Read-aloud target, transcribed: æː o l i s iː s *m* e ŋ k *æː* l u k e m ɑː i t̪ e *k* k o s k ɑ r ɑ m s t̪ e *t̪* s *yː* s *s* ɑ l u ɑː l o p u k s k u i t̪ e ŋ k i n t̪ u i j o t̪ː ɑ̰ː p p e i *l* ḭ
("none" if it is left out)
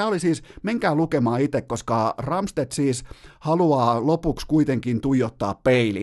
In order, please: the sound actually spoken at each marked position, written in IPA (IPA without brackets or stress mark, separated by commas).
m, æː, k, t̪, iː, h, l